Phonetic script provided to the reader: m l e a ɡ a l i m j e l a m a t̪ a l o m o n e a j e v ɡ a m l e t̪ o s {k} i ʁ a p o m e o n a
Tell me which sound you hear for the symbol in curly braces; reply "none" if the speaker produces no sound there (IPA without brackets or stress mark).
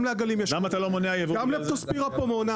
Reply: p